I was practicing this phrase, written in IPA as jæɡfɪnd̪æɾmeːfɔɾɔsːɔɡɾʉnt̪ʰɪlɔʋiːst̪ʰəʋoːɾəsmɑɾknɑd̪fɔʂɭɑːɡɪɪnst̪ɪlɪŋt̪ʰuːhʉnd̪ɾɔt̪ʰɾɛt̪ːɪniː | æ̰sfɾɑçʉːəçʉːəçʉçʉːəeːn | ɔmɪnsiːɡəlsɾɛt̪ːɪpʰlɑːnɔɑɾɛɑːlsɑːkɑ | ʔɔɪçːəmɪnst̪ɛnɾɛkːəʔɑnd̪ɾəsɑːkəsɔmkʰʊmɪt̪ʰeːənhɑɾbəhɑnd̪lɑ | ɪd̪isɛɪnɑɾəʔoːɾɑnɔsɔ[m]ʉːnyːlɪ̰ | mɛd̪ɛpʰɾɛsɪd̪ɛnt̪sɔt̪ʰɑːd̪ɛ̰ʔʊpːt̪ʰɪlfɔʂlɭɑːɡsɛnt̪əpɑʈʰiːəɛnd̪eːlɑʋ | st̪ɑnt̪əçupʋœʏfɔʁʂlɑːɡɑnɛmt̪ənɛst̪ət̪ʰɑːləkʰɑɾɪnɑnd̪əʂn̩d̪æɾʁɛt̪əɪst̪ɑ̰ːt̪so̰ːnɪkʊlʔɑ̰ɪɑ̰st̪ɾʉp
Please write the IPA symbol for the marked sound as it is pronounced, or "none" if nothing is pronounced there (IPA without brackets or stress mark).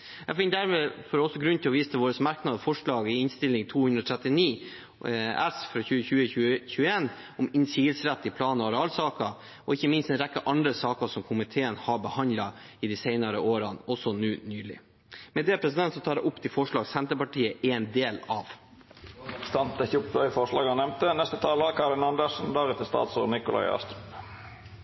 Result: n